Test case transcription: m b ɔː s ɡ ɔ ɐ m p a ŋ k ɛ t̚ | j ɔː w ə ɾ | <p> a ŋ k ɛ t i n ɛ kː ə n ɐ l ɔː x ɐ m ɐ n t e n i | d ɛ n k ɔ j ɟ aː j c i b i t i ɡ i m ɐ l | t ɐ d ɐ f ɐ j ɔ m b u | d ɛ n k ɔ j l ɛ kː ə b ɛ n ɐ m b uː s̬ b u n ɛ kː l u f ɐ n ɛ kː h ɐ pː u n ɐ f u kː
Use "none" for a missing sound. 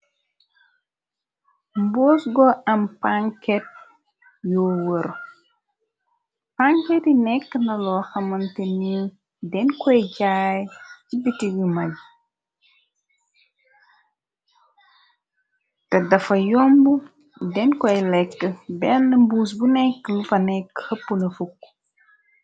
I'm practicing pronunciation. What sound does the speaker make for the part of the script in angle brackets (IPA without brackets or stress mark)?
p